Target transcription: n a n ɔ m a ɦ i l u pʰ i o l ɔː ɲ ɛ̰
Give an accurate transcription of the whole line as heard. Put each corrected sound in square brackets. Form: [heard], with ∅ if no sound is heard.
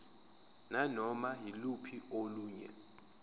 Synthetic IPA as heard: n a n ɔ m a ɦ i l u pʰ i o l [uː] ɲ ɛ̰

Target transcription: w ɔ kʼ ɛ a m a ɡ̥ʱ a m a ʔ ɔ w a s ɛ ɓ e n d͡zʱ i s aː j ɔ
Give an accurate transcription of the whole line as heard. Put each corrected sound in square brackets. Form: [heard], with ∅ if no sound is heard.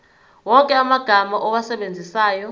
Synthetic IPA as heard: w ɔ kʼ ɛ a m a ɡ̥ʱ a m a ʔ ɔ w a s ɛ ɓ e n d͡zʱ i s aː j ɔ

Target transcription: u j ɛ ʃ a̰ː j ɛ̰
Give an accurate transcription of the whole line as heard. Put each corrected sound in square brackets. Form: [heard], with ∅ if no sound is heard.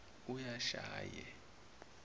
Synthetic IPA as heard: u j [a] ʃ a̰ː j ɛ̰

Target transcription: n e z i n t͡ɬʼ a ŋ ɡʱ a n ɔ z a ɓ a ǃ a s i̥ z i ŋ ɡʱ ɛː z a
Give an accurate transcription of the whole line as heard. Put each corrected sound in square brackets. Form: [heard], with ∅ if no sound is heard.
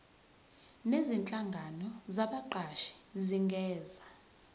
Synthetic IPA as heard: n e z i n t͡ɬʼ a ŋ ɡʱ a n ɔ z a ɓ a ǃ a [ʃ] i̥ z i ŋ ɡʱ ɛː z a

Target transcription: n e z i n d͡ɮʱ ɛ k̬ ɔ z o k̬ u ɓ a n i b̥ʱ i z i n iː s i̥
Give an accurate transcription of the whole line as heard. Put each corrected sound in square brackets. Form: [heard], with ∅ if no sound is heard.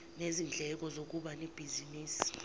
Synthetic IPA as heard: n e z i n d͡ɮʱ ɛ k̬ ɔ z o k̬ u ɓ a n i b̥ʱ i z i n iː s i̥

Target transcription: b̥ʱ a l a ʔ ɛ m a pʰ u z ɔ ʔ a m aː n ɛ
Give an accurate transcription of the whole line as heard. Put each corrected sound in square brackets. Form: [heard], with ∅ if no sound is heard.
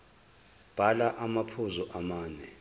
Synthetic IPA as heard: b̥ʱ a l a ʔ [a] m a pʰ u z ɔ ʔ a m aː n ɛ

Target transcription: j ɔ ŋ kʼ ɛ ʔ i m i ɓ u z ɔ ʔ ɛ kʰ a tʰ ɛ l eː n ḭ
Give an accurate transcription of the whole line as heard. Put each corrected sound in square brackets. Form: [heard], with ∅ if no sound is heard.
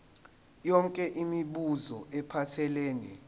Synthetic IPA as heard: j ɔ ŋ kʼ ɛ ʔ i m i ɓ u z ɔ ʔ ɛ [pʰ] a tʰ ɛ l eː n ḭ

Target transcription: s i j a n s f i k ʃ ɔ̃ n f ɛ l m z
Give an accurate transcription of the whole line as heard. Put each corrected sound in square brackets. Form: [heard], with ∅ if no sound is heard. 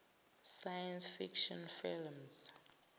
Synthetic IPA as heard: s [a] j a n s f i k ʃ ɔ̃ n f [i] l m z

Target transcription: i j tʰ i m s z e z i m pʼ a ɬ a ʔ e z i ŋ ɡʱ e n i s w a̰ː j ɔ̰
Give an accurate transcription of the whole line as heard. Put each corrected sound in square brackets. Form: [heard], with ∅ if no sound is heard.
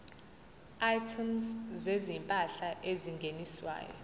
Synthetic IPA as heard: [a] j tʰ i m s z e z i m pʼ a ɬ a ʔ e z i ŋ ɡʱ e n i s w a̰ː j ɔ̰

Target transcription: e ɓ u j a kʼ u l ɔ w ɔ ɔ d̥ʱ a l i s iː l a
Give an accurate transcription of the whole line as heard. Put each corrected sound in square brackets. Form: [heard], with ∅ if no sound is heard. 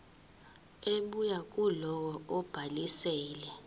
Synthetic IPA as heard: e ɓ u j a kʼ u l ɔ w ɔ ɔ [b̥ʱ] a l i s [ɛː] l [ɛ]

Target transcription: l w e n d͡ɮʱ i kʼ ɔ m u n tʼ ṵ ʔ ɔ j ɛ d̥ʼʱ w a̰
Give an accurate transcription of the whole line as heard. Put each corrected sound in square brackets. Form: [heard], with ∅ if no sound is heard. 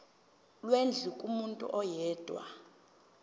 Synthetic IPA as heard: l w e n d͡ɮʱ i kʼ [u] m u n tʼ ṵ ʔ ɔ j [ɛː] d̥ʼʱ w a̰

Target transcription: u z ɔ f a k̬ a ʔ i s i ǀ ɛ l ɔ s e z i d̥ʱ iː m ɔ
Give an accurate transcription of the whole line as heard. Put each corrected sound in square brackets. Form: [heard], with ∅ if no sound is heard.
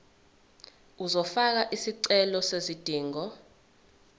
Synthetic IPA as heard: u z ɔ f a k̬ a ʔ i s i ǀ ɛ l ɔ s e z i d̥ʱ iː [ŋ] ɔ

